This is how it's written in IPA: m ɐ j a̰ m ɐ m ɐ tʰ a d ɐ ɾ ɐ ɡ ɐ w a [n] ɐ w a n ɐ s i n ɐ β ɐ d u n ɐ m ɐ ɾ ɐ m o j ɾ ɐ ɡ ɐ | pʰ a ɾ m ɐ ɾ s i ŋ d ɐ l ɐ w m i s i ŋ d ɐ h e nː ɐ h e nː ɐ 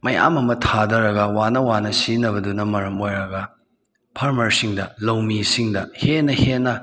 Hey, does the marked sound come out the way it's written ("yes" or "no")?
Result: yes